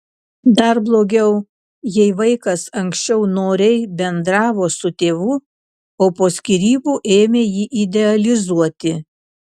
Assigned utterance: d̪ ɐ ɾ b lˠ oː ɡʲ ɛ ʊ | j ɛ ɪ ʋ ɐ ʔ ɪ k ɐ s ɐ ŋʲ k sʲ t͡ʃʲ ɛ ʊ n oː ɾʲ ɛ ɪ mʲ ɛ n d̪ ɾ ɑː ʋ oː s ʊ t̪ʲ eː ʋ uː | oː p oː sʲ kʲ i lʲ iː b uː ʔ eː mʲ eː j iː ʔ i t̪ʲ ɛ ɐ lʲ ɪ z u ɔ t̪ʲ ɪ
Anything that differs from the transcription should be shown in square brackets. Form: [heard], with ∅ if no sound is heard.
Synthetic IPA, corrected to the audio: d̪ ɐ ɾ b lˠ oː ɡʲ ɛ ʊ | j ɛ ɪ ʋ ɐ [∅] ɪ k ɐ s ɐ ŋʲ k sʲ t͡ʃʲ ɛ ʊ n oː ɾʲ ɛ ɪ [bʲ] ɛ n d̪ ɾ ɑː ʋ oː s ʊ t̪ʲ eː ʋ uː | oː p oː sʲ kʲ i [ɾʲ] iː b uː ʔ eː mʲ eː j iː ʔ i [d̪ʲ] ɛ ɐ lʲ ɪ z u ɔ t̪ʲ ɪ